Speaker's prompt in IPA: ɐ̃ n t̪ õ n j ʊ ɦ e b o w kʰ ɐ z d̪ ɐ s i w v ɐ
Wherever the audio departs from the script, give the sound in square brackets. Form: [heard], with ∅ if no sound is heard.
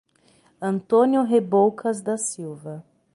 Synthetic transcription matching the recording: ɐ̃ n t̪ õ n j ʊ ɦ e b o w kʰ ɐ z d̪ ɐ s i w v ɐ